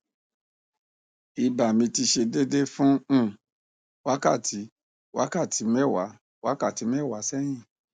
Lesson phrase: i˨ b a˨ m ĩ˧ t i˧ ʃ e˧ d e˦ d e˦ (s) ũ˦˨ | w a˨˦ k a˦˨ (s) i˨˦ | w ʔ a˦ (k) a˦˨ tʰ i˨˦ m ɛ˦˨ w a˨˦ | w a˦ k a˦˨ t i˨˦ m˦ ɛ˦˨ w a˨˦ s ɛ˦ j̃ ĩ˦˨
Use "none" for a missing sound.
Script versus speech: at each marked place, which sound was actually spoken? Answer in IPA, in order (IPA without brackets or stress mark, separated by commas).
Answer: f, t, k